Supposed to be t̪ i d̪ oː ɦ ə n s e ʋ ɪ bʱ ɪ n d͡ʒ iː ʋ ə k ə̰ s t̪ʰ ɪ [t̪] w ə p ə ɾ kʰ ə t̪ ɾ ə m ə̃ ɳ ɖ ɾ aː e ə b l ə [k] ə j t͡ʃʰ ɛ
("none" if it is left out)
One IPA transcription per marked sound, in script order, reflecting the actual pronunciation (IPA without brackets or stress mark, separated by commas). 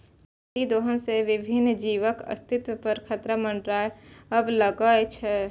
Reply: t̪, ɡ